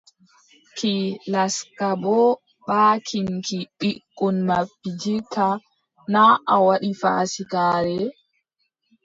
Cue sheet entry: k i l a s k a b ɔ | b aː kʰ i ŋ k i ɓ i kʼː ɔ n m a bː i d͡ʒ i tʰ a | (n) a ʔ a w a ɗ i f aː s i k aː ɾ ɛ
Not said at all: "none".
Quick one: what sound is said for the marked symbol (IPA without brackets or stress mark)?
n